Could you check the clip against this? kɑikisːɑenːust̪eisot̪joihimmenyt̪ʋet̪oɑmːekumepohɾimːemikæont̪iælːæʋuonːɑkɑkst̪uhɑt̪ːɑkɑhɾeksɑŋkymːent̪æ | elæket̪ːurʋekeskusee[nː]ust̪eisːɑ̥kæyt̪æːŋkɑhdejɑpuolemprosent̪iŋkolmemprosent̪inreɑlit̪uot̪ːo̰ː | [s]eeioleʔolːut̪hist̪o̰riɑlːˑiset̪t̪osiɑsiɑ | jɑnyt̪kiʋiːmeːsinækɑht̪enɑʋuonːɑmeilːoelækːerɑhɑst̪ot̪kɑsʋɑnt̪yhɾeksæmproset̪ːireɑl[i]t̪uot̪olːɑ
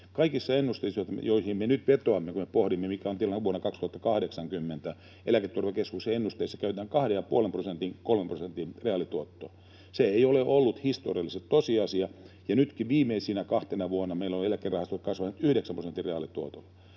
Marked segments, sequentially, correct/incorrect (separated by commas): correct, correct, correct